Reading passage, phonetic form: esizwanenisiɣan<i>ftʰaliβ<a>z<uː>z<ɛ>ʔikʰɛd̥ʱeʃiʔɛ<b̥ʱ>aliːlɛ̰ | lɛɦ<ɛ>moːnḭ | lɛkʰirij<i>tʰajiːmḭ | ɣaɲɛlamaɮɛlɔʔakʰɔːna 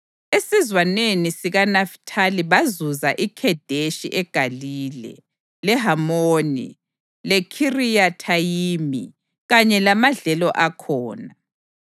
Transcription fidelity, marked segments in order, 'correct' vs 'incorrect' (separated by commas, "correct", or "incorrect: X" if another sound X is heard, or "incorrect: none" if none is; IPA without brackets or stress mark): incorrect: a, correct, incorrect: u, incorrect: a, incorrect: ɡ̥ʱ, incorrect: a, incorrect: a